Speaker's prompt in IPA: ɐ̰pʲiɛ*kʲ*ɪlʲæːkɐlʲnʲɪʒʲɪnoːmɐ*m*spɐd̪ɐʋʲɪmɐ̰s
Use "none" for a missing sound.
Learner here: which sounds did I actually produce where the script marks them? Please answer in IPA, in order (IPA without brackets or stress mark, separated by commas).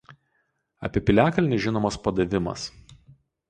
pʲ, none